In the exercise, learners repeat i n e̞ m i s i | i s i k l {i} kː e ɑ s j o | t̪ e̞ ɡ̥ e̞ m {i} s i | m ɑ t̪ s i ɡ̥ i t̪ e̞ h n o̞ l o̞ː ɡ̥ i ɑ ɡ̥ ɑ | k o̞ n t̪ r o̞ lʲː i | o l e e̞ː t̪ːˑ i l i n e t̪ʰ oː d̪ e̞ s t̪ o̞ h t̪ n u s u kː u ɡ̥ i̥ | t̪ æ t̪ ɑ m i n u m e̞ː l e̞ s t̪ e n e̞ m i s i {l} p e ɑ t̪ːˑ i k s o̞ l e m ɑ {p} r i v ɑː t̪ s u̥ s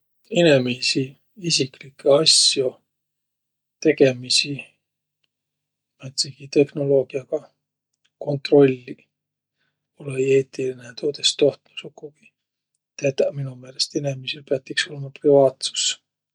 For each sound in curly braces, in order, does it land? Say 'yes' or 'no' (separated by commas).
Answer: yes, yes, yes, yes